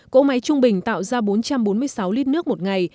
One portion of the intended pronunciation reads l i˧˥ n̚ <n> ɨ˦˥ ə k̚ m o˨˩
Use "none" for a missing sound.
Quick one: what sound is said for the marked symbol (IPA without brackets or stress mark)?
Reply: n